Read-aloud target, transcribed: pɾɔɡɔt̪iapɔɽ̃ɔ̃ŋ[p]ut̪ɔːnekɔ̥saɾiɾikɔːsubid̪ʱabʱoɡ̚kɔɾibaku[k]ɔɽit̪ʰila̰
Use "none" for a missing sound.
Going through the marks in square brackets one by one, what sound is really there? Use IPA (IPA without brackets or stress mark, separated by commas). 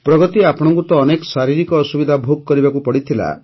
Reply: k, p